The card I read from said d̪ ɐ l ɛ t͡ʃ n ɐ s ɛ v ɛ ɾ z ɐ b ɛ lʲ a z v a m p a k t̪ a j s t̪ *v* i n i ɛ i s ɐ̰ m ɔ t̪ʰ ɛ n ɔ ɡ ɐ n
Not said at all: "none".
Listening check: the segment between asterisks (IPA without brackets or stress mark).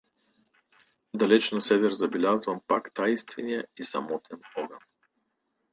v